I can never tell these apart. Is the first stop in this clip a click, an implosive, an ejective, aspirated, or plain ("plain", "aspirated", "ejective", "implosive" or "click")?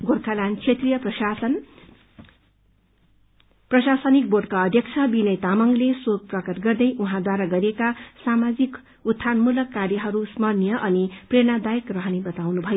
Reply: plain